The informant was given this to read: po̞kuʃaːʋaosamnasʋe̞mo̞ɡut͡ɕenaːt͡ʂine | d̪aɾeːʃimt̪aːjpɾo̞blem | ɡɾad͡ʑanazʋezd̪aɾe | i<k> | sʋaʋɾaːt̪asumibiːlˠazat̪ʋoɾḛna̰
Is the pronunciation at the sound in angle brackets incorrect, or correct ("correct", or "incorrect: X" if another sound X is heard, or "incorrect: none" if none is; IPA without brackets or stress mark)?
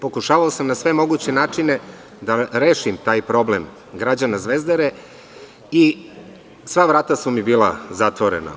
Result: incorrect: none